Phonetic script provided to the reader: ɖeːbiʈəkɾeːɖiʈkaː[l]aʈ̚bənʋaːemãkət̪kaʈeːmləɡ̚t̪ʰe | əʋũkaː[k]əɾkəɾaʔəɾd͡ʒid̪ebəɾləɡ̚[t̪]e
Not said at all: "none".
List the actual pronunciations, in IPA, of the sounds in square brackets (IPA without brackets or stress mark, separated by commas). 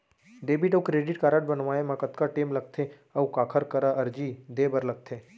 ɾ, kʰ, t̪ʰ